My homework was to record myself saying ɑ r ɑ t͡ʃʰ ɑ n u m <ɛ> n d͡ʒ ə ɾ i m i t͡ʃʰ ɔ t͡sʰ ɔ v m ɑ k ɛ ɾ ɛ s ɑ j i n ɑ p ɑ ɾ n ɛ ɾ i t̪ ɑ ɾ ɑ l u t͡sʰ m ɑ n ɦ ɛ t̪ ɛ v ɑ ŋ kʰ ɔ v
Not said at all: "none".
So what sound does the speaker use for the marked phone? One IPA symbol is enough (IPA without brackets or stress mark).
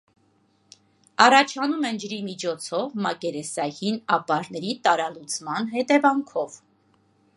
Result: ɛ